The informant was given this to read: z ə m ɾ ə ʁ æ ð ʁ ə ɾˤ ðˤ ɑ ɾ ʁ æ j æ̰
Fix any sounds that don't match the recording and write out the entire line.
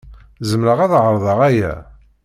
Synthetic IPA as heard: z ə m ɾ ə ʁ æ ð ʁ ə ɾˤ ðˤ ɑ ʁ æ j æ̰

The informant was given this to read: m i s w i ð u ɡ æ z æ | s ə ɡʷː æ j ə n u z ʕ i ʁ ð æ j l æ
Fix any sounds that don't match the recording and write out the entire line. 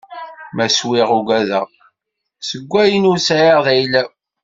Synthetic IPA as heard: m æ s w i ʁ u ɡ æ ð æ | s ə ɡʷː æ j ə n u s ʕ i ʁ ð æ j l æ

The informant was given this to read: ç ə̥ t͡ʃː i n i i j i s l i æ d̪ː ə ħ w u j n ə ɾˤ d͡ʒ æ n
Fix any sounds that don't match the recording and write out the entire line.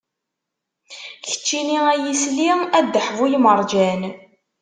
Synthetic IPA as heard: ç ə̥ t͡ʃː i n i æ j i s l i æ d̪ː ə ħ v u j m ə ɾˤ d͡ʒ æ n

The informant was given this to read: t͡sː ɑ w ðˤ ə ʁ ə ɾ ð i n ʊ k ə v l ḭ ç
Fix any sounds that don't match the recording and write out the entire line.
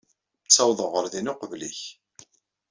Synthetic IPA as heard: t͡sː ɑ w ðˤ ə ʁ ə ɾ ð i n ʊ q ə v l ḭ ç

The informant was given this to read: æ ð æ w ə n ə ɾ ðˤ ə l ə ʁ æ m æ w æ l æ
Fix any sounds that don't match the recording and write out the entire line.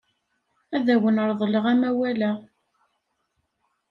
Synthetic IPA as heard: æ ð æ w ə n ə ɾ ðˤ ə l ə ʁ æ m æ w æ l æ

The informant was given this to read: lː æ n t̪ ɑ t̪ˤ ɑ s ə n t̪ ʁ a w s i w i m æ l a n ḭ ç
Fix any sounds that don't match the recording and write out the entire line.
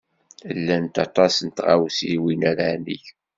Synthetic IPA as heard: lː æ n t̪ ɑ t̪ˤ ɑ s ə n t̪ ʁ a w s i w i n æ ɾ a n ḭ ç

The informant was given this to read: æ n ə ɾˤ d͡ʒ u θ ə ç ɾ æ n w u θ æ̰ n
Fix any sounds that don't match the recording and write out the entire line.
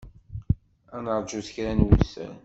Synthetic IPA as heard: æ n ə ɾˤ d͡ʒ u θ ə ç ɾ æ n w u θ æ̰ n

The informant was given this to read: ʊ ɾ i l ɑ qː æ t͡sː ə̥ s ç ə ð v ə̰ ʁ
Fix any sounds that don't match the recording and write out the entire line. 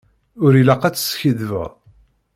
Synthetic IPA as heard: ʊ ɾ i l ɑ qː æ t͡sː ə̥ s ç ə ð v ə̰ ʁ

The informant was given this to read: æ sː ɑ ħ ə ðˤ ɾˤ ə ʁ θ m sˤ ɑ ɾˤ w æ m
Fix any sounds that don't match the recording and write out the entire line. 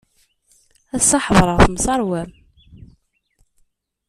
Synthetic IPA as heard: æ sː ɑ ħ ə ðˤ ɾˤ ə ʁ θ m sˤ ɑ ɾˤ w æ m

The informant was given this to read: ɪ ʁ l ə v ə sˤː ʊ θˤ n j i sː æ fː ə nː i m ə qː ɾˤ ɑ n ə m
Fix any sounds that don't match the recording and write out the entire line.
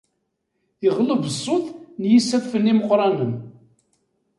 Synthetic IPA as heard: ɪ ʁ l ə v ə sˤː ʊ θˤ n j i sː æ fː ə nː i m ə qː ɾˤ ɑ n ə m

